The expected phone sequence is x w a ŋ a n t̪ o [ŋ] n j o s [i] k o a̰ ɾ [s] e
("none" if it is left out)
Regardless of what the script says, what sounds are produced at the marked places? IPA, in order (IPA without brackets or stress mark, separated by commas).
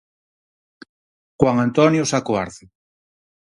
none, a, θ